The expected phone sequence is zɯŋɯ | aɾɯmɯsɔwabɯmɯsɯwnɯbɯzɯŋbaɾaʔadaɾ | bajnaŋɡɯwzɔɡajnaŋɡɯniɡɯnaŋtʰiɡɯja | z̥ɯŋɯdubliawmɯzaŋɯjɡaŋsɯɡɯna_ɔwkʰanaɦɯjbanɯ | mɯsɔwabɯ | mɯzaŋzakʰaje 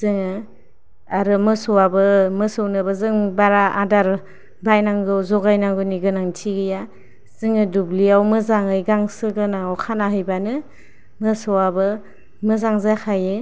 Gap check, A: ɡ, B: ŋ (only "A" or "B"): B